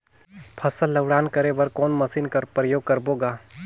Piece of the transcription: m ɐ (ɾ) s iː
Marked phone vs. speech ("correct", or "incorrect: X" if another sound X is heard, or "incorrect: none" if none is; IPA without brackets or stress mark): incorrect: none